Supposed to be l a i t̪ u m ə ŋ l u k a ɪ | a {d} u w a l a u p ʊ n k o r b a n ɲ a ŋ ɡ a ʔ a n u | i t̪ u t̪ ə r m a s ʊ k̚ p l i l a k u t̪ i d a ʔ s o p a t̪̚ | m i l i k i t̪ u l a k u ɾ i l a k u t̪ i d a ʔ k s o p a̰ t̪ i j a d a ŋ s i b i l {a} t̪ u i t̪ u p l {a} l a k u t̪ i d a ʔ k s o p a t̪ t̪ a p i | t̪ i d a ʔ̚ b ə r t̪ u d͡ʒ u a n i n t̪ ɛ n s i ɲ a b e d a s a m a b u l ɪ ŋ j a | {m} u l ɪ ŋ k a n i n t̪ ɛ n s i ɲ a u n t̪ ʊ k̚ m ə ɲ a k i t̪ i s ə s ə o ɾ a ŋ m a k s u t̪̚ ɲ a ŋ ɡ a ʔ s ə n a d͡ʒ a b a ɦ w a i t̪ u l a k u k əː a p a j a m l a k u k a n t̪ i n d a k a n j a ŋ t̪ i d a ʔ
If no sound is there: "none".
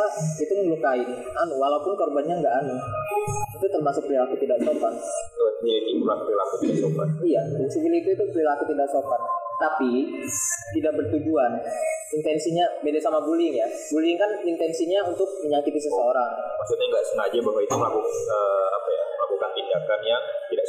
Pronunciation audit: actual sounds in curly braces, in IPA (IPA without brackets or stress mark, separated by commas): n, i, i, b